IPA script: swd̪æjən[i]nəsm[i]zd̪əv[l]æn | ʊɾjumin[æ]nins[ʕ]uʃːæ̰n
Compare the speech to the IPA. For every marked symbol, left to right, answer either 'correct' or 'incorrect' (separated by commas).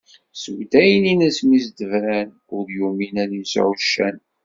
correct, correct, incorrect, correct, correct